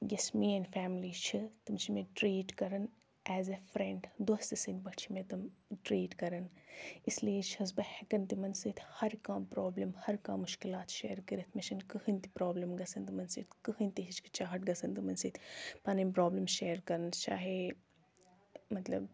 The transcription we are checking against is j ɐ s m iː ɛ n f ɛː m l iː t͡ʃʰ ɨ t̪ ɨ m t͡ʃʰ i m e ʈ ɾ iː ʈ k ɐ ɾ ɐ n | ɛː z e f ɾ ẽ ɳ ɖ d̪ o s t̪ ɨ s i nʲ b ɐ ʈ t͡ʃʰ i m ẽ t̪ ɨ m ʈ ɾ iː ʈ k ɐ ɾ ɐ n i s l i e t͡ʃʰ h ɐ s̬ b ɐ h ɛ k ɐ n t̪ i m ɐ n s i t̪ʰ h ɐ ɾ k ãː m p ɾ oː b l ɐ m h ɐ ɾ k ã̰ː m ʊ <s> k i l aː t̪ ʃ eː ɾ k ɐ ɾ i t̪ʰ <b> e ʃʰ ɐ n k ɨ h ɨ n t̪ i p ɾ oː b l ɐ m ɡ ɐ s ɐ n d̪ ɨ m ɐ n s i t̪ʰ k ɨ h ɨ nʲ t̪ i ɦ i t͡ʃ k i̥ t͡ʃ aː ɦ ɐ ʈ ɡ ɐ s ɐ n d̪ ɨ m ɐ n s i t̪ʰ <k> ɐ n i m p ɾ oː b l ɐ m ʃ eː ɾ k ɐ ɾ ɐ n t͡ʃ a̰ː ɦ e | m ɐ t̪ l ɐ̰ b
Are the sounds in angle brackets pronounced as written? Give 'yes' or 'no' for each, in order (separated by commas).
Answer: no, no, no